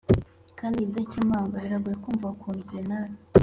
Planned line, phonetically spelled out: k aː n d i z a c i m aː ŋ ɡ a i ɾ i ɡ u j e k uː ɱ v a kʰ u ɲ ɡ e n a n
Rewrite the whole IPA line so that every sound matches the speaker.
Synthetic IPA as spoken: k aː n d i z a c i m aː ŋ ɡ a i ɾ a ɡ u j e k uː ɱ v a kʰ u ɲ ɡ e n a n